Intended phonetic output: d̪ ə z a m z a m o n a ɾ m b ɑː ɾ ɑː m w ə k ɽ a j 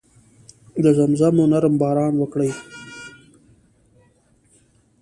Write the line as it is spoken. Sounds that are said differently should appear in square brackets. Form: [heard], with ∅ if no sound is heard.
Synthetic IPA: d̪ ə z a m z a m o n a ɾ m b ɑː ɾ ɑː [n] w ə k ɽ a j